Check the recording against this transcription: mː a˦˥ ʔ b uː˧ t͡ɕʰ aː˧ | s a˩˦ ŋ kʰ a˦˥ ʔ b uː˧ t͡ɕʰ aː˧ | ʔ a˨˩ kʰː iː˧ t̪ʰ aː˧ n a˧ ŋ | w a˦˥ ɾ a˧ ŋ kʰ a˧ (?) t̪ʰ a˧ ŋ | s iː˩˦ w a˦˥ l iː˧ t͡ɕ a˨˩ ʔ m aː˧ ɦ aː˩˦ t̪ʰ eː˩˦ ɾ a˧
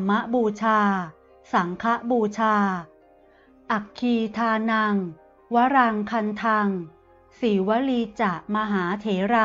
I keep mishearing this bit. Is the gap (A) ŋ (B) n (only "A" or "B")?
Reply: B